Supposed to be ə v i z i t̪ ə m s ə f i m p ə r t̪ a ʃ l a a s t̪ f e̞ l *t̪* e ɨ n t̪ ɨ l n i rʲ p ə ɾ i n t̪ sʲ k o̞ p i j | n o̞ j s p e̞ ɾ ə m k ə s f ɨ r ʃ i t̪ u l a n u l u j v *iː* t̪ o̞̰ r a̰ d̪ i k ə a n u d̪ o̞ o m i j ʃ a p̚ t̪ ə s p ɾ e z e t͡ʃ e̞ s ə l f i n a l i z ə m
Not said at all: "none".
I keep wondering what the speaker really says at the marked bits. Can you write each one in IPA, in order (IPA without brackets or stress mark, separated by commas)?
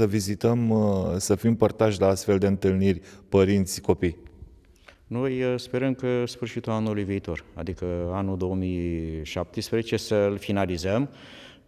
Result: d̪, iː